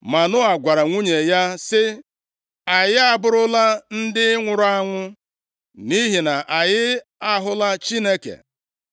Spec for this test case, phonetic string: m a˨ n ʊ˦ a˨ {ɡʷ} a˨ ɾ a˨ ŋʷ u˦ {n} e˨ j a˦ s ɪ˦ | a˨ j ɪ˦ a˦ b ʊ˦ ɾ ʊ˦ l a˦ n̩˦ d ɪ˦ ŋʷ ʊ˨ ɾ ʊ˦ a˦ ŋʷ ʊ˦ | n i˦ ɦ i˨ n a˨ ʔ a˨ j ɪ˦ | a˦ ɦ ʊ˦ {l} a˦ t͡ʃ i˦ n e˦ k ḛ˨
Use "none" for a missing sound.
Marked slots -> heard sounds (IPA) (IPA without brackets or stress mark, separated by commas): ɡʷ, ɲ, l